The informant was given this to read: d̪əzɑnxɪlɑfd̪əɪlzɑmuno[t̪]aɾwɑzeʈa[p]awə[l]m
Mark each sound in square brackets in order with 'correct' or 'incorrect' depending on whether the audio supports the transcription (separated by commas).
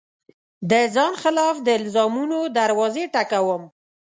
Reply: incorrect, incorrect, incorrect